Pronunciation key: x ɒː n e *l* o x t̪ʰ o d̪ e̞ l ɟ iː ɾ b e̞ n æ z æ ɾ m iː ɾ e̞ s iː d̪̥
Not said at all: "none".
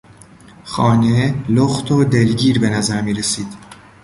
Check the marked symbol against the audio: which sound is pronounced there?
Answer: l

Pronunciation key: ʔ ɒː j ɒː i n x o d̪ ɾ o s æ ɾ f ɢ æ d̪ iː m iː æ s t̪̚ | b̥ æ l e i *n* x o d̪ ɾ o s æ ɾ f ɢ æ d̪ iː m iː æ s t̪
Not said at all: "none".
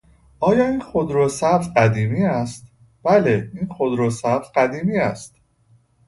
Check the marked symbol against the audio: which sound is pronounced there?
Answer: n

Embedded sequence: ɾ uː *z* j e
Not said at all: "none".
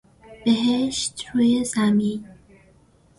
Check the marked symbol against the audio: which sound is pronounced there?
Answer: none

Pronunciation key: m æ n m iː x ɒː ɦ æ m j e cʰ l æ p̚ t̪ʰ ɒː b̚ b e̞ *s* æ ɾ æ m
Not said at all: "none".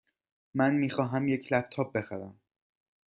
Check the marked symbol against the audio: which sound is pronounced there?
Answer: x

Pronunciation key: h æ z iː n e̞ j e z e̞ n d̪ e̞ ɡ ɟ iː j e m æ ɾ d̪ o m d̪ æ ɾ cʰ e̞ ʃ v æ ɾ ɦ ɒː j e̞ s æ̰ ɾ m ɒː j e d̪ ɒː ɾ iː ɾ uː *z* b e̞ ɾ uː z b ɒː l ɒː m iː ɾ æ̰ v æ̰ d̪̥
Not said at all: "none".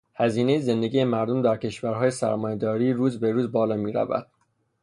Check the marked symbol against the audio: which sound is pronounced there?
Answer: z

